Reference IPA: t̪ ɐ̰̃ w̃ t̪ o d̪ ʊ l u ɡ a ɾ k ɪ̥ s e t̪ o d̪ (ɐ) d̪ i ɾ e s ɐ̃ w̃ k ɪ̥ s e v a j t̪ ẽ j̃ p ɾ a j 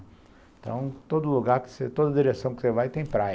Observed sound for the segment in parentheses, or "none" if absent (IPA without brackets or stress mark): ɐ